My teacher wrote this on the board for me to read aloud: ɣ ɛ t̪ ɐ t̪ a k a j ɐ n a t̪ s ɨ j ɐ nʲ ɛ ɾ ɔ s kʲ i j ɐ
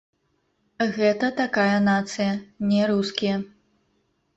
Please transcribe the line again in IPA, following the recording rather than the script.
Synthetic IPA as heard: ɣ ɛ t̪ ɐ t̪ a k a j ɐ n a t̪ s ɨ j ɐ nʲ ɛ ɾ u s kʲ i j ɐ